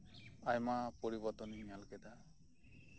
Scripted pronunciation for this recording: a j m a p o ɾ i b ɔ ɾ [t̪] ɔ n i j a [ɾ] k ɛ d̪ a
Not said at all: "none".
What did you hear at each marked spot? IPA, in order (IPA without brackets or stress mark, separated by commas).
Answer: t̪, l